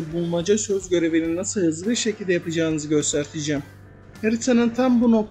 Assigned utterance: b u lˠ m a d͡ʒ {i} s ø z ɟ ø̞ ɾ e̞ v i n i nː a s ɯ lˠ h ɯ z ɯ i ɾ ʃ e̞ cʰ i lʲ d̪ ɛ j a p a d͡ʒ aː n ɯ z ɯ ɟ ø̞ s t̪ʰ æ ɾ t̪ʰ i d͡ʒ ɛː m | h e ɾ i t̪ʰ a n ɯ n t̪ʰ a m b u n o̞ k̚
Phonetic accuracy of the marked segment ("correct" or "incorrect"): incorrect